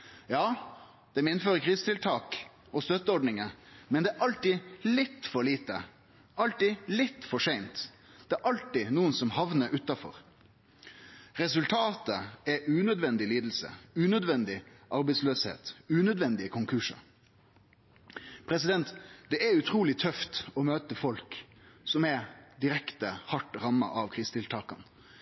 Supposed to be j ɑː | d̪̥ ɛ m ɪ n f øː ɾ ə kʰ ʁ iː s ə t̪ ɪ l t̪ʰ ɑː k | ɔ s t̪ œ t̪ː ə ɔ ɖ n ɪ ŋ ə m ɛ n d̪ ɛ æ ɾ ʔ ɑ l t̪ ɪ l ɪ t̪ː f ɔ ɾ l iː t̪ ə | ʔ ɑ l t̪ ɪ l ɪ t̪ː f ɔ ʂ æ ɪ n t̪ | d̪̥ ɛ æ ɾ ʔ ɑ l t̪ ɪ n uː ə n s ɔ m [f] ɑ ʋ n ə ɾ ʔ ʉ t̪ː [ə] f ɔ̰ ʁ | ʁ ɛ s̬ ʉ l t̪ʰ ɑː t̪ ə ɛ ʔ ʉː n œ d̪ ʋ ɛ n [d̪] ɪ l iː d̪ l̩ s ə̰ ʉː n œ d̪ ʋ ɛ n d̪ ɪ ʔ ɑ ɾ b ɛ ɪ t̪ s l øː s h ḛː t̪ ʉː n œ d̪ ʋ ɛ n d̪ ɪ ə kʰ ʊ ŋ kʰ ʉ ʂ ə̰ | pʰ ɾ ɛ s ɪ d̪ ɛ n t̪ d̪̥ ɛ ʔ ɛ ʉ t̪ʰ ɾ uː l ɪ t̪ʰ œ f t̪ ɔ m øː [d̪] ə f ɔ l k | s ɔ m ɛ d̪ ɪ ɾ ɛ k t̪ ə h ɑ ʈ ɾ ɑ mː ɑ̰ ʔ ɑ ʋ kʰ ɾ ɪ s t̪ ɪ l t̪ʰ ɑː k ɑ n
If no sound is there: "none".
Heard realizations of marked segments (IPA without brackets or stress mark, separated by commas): h, ɑ, d̪, t̪